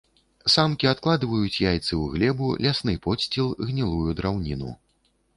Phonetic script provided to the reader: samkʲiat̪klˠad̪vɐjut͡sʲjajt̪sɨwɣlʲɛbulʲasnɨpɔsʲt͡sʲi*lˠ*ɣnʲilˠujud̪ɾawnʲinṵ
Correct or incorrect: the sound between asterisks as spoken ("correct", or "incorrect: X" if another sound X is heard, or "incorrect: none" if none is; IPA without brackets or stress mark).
correct